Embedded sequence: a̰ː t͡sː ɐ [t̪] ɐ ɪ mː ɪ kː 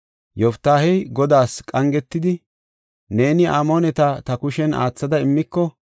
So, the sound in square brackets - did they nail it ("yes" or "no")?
no